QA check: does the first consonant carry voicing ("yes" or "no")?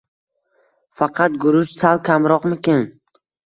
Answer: no